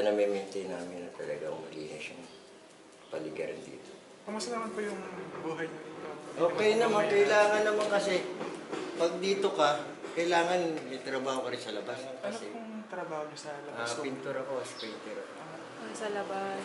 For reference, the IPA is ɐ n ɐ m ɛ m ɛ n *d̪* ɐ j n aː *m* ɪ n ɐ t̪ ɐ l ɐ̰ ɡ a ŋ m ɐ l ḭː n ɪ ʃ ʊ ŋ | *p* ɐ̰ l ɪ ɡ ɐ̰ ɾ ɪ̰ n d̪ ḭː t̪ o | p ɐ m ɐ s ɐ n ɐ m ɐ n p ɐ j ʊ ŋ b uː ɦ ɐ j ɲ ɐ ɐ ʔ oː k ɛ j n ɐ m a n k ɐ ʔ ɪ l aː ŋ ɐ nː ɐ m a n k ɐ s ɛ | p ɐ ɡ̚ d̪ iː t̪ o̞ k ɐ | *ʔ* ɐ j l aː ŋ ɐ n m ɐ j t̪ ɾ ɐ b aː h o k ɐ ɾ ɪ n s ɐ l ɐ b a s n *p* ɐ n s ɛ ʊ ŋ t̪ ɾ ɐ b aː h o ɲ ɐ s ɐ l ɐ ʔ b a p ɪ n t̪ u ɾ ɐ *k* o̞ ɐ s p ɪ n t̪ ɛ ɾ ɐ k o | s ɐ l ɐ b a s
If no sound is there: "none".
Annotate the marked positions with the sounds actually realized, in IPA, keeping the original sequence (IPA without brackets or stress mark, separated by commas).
t̪, m, p, k, k, k